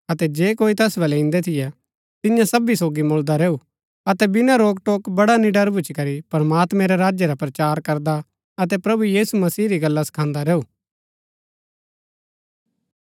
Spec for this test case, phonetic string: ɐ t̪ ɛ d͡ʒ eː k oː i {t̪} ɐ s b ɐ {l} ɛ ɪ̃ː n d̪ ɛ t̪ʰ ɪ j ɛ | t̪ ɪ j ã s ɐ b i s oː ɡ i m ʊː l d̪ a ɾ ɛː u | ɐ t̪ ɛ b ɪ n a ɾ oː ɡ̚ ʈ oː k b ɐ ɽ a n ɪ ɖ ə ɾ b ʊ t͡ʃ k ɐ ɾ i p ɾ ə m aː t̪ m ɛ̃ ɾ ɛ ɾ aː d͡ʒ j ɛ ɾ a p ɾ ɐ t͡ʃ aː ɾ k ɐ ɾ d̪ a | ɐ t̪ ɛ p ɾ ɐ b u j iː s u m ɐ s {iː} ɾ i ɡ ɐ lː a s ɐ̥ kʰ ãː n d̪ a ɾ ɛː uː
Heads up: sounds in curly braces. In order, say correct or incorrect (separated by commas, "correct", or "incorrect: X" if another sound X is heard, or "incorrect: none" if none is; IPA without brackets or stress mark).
correct, correct, correct